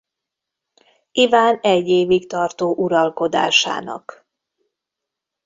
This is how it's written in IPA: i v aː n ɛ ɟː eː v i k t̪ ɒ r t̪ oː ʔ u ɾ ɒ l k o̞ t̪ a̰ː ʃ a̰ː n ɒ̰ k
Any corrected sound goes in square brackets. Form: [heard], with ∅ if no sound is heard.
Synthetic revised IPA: i v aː n ɛ ɟː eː v i k t̪ ɒ r t̪ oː ʔ u ɾ ɒ l k o̞ [d̪] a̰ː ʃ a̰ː n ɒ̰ k